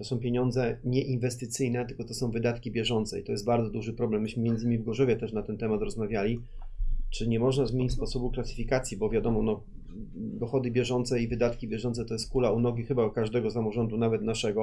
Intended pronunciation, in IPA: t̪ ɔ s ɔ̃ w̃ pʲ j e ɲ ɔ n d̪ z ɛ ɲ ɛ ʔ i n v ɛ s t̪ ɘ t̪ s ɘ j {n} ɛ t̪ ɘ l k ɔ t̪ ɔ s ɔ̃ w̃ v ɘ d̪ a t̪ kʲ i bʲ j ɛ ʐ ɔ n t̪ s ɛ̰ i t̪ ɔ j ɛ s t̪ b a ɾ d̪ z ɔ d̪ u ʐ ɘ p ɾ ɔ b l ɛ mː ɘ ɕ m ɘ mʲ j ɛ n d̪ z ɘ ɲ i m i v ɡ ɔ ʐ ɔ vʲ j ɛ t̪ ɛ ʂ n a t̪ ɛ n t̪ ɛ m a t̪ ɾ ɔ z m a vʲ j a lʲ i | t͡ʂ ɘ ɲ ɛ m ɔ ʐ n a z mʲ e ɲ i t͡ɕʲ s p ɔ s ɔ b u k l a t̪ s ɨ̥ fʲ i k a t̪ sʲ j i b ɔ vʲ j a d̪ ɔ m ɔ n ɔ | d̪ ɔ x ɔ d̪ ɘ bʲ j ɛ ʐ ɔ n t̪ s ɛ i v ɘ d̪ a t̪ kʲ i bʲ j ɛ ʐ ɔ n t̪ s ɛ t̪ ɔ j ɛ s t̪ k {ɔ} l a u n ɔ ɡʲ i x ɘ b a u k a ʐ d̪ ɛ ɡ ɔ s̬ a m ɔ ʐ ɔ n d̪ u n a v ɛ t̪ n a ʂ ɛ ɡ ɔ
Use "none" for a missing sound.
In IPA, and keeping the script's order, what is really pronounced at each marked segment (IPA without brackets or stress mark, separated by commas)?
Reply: n, u